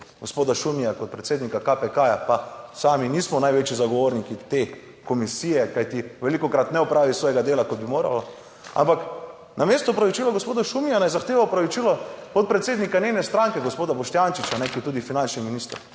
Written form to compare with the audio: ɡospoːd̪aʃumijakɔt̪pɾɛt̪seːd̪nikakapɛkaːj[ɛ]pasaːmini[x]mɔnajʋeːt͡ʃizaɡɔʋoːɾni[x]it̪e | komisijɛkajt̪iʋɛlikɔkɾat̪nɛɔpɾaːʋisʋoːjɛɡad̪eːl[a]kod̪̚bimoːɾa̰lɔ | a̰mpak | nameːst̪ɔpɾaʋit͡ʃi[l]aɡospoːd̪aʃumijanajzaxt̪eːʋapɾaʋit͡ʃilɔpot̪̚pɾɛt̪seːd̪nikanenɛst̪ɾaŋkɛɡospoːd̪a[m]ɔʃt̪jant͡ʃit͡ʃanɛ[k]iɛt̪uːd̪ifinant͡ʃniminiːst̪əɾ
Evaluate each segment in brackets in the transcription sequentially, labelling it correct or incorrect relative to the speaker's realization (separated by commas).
incorrect, incorrect, incorrect, correct, correct, incorrect, correct